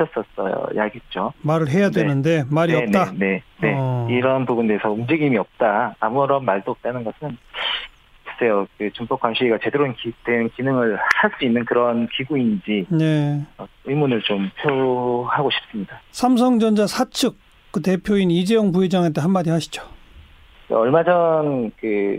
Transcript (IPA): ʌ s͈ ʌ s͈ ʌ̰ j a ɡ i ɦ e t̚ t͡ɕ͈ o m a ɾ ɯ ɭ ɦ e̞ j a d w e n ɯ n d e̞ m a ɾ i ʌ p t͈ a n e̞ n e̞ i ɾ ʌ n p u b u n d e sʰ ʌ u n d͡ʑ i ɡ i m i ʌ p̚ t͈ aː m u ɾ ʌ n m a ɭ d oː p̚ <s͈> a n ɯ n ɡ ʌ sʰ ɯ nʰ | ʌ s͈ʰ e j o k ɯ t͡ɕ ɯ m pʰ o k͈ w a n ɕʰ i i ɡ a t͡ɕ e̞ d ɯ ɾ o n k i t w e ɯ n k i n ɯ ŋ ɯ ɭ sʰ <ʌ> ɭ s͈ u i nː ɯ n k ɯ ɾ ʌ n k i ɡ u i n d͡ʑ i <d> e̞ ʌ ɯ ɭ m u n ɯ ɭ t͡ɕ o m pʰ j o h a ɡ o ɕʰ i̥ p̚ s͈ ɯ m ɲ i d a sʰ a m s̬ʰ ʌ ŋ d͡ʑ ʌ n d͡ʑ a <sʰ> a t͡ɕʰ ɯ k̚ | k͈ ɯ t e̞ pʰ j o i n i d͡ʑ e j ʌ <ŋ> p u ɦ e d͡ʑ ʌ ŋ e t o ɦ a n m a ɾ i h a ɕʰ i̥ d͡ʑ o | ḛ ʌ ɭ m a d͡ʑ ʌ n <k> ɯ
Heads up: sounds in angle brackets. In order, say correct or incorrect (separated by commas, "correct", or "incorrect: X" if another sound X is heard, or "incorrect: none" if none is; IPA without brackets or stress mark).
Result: incorrect: t͈, incorrect: a, incorrect: n, correct, correct, correct